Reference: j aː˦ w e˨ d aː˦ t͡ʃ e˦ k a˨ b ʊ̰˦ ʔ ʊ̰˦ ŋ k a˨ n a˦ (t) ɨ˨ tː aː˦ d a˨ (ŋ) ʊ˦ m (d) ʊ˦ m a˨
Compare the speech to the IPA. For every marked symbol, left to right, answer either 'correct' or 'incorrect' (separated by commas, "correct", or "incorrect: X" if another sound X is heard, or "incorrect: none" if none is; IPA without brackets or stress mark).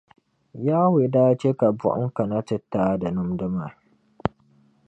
correct, incorrect: n, correct